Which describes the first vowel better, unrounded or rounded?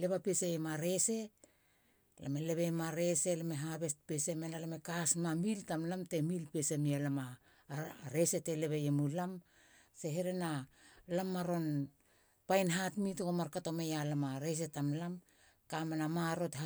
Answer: unrounded